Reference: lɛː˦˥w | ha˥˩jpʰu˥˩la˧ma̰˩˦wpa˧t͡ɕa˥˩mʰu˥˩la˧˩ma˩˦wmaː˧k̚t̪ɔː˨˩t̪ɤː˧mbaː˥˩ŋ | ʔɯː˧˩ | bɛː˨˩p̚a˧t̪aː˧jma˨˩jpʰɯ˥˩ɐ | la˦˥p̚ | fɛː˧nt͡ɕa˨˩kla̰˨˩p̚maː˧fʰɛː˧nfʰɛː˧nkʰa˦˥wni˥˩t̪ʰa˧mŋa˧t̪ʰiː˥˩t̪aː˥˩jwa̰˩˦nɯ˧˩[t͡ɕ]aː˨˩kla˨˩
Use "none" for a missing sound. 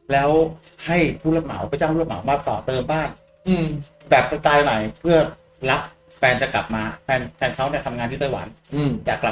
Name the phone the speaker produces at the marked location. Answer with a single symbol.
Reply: t͡ɕ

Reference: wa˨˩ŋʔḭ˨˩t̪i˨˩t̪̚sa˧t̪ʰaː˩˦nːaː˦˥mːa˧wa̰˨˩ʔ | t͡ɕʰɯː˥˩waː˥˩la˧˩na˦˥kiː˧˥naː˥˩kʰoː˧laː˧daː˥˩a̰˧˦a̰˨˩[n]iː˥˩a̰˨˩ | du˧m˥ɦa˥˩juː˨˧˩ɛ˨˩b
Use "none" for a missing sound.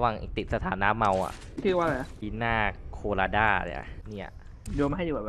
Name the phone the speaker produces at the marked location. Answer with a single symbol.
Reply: n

